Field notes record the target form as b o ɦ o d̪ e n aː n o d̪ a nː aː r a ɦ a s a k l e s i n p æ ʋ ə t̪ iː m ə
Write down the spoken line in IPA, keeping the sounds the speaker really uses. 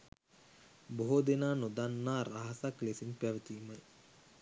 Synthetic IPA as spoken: b o ɦ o d̪ e n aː n o d̪ a nː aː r a ɦ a s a k l e s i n p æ ʋ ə t̪ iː m ə